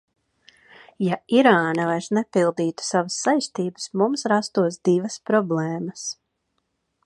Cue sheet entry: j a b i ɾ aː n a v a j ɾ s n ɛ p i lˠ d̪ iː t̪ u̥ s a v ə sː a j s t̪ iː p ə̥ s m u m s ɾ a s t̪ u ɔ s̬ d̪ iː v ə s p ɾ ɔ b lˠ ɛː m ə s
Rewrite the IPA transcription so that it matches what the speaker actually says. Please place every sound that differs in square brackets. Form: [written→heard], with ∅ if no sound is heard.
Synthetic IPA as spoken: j a [b→∅] i ɾ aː n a v a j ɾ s n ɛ p i lˠ d̪ iː t̪ u̥ s a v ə sː a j s t̪ iː [p→b] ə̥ s m u m s ɾ a s t̪ u ɔ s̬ d̪ [iː→i] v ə s p ɾ ɔ b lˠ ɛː m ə s